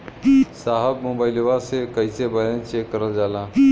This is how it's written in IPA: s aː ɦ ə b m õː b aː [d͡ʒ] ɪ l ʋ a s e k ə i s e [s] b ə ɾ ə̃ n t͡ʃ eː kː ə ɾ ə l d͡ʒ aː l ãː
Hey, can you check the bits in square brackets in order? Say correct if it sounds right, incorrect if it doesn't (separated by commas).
incorrect, incorrect